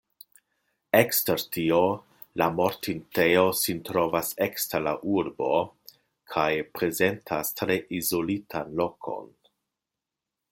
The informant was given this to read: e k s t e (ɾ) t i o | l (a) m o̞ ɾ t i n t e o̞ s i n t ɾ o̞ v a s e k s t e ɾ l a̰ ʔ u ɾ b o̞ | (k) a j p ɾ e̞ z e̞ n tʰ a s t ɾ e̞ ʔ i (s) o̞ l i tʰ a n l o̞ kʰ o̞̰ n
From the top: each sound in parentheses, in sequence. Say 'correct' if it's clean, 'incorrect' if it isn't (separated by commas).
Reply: correct, correct, incorrect, incorrect